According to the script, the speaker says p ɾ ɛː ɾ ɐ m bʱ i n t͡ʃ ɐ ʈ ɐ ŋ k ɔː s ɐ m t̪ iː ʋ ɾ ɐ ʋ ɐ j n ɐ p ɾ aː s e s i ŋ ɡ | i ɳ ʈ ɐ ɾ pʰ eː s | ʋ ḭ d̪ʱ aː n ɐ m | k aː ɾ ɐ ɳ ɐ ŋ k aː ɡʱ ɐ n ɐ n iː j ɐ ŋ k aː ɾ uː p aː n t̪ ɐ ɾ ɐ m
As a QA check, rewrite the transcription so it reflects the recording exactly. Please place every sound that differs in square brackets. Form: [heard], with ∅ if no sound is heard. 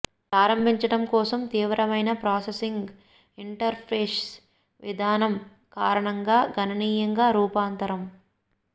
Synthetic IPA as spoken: p ɾ [aː] ɾ ɐ m bʱ i [ɲ] t͡ʃ ɐ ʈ ɐ [m] k ɔː s ɐ m t̪ iː ʋ ɾ ɐ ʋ ɐ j n ɐ p ɾ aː s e s i ŋ ɡ | i ɳ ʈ ɐ ɾ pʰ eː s | ʋ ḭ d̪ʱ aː n ɐ m | k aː ɾ ɐ ɳ ɐ ŋ [ɡ] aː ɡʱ ɐ n ɐ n iː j ɐ ŋ [ɡ] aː ɾ uː p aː n t̪ ɐ ɾ ɐ m